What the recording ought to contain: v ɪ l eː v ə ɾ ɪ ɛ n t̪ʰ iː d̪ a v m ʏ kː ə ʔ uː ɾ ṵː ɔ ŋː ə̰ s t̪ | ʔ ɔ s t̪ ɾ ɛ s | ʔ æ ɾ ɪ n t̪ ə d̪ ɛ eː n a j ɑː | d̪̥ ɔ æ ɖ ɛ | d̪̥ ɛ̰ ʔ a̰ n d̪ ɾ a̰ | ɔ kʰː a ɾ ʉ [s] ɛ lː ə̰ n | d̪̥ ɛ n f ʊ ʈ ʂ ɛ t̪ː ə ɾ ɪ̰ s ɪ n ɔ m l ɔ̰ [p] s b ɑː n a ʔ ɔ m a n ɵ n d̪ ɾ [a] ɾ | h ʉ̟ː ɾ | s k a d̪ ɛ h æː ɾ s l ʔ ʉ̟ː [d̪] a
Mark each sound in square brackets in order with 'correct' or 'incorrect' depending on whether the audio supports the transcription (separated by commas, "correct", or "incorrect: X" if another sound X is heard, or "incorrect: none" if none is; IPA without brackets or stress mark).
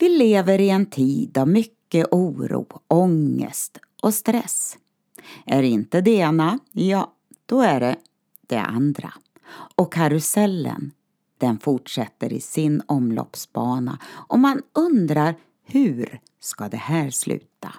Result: correct, correct, correct, incorrect: t̪